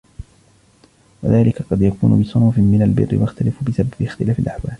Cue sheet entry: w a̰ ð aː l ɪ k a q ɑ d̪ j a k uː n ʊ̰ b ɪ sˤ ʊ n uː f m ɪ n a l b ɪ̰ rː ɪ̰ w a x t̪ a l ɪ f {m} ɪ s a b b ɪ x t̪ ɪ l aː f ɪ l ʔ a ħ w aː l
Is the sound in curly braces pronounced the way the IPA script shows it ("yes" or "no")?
no